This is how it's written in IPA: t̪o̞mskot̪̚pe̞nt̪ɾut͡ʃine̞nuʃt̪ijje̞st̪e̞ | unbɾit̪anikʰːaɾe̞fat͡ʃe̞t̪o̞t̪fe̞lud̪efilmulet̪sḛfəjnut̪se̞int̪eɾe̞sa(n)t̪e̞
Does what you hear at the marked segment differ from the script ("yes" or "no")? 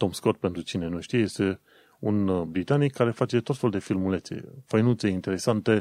no